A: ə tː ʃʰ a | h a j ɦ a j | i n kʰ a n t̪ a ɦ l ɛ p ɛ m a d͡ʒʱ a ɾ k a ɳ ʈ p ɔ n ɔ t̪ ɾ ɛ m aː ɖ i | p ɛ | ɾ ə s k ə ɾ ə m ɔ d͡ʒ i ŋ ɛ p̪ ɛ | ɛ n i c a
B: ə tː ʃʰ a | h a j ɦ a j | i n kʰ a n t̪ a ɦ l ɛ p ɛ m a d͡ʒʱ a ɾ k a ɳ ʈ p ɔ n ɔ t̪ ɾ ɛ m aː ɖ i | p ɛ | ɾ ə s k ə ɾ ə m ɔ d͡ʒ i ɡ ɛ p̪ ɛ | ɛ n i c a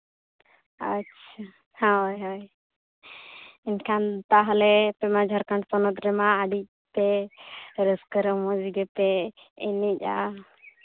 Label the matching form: B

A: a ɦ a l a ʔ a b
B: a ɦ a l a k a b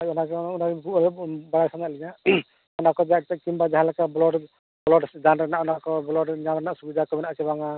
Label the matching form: B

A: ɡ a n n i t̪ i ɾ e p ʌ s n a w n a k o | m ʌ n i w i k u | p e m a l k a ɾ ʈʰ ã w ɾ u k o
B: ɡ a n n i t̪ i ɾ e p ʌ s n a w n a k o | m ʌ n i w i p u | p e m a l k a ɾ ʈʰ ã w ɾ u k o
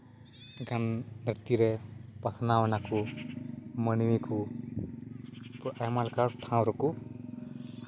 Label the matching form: A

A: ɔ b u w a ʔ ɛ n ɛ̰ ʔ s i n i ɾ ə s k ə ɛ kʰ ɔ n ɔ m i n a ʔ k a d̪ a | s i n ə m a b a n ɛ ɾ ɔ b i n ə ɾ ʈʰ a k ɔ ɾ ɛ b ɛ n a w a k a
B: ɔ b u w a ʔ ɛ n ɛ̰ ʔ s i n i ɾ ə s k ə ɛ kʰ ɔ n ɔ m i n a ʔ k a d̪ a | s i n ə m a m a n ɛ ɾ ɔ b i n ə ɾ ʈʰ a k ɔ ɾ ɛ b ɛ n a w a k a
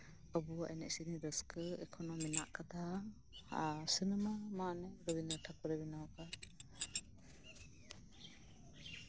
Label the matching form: B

